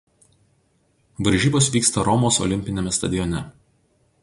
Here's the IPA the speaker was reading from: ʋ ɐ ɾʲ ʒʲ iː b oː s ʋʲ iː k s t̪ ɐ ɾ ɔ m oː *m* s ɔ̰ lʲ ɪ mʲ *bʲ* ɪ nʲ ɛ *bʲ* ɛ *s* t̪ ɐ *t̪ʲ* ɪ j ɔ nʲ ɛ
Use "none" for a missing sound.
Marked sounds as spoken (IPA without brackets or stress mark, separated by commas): none, pʲ, mʲ, s, d̪ʲ